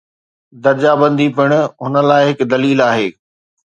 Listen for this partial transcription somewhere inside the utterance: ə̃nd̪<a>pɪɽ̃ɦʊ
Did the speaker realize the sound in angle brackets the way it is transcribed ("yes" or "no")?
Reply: no